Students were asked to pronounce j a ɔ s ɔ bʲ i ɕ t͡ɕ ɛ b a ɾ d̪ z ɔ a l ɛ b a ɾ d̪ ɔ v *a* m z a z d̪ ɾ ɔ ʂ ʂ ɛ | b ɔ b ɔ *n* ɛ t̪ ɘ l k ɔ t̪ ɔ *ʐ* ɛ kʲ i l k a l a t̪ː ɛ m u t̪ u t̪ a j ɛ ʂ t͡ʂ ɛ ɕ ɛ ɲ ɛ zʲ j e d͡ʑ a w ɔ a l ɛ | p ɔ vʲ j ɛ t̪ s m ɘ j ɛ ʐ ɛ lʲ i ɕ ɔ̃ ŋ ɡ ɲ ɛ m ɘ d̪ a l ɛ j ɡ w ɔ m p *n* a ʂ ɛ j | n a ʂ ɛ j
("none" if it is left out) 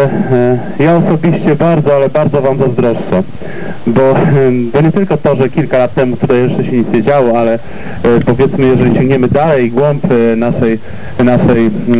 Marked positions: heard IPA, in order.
a, ɲ, ʐ, n

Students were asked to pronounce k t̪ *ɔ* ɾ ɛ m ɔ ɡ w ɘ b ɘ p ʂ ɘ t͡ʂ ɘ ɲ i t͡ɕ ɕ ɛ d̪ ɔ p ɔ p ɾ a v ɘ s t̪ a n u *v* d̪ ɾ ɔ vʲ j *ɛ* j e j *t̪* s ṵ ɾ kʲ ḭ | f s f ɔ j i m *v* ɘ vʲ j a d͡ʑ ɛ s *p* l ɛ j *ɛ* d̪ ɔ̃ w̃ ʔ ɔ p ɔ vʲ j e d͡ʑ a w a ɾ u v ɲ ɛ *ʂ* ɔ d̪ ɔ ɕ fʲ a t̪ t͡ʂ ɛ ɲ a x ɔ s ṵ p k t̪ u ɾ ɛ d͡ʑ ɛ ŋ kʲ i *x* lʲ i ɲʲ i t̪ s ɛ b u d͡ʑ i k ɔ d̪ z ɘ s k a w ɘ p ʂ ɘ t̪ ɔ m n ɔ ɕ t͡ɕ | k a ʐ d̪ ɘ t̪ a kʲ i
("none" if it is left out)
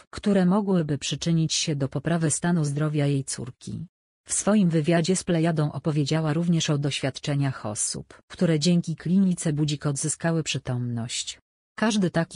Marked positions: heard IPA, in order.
u, z, a, t̪, v, p, a, ʂ, k

